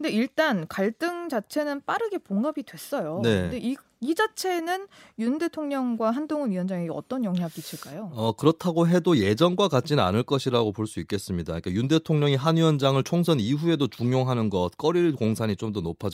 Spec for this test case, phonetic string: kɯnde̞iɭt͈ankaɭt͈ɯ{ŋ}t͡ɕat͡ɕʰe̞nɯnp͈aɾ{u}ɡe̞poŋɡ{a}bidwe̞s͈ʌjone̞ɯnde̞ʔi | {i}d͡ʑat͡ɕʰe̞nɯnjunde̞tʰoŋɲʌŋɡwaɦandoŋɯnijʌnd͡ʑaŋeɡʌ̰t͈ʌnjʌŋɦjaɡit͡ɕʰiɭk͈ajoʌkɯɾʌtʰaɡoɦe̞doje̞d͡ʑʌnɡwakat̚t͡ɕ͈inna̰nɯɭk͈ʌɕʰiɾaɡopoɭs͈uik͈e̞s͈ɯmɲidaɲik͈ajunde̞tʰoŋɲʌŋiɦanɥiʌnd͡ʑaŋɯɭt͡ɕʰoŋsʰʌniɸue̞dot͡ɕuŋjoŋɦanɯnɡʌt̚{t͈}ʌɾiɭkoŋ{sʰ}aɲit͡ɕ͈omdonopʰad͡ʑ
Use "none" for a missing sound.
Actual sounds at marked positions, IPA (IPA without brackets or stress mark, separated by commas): ŋ, ɯ, a, i, k͈, sʰ